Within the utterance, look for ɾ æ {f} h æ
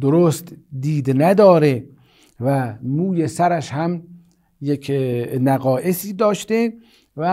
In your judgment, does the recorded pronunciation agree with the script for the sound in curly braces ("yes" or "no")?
no